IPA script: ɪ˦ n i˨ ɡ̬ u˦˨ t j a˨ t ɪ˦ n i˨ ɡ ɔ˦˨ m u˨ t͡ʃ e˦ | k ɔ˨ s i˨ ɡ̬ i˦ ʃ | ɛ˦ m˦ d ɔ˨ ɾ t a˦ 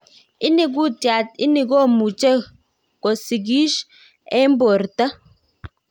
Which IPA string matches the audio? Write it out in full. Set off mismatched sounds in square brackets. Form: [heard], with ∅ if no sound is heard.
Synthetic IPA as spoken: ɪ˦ n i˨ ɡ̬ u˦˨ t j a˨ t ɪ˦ n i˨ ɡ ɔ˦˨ m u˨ t͡ʃ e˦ | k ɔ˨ s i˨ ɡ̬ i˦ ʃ | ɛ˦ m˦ [b] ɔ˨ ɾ t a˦